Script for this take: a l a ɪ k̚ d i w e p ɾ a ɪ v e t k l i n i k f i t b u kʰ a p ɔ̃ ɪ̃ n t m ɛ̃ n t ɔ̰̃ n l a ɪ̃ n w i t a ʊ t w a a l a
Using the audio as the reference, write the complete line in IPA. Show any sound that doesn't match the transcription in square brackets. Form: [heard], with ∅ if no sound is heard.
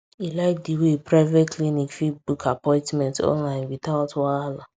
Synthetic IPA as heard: [i] l a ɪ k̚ d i w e p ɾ a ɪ v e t k l i n i k f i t b u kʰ a p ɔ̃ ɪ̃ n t m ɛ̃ n t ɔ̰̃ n l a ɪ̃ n w i t a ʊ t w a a l a

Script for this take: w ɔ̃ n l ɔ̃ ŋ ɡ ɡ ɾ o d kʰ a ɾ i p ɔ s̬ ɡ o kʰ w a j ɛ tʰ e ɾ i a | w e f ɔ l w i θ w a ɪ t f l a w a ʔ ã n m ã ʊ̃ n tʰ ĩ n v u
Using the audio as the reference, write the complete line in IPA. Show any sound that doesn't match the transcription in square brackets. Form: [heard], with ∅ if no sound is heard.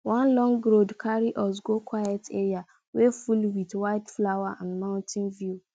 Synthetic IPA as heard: w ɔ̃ n l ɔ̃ ŋ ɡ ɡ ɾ o d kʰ a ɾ i [ʔ] ɔ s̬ ɡ o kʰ w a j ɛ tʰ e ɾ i a | w e f [u] l w i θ w a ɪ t f l a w a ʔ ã n m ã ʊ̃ n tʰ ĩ n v u

